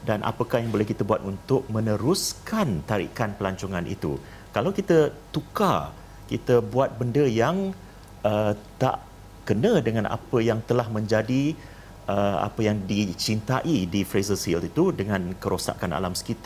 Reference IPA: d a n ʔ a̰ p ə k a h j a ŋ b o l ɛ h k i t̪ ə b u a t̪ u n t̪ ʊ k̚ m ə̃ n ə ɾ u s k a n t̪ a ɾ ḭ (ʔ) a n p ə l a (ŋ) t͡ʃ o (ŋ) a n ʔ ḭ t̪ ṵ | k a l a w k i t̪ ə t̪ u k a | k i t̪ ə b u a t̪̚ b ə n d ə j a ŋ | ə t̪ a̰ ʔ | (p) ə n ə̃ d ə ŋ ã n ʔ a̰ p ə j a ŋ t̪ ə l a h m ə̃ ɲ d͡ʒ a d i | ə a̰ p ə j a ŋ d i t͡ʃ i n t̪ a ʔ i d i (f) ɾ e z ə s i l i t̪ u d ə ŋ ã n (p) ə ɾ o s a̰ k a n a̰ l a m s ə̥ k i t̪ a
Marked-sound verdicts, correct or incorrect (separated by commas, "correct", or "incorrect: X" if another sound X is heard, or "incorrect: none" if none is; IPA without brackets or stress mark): incorrect: k, incorrect: ɲ, correct, incorrect: k, correct, incorrect: k